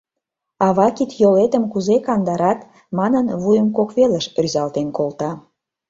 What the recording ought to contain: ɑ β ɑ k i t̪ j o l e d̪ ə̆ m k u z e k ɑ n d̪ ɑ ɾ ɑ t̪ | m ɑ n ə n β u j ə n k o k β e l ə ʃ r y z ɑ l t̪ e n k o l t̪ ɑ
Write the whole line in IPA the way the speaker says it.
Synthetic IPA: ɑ β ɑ k i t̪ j o l e t̪ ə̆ m k u z e k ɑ n d̪ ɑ ɾ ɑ t̪ | m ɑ n ə n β u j ə m k o k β e l ə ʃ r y z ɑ l t̪ e n k o l t̪ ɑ